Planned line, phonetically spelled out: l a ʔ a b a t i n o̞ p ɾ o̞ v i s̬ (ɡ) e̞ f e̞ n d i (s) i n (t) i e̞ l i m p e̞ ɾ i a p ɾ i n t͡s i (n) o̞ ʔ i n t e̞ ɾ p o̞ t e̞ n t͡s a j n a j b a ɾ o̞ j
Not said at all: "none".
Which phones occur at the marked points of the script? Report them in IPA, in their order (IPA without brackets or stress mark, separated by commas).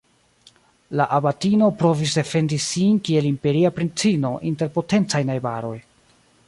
d, s, k, n